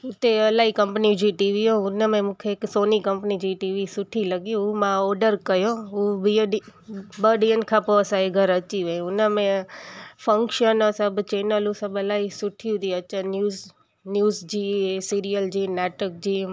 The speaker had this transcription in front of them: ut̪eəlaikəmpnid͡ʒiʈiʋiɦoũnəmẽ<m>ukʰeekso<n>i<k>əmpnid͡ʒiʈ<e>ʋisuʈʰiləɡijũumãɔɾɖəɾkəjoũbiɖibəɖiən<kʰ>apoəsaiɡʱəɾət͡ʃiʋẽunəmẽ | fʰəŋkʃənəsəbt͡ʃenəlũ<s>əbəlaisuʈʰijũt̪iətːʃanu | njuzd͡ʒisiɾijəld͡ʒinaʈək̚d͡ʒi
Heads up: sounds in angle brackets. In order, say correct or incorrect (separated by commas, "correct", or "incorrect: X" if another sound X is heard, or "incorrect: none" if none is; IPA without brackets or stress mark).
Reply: correct, correct, correct, incorrect: i, correct, correct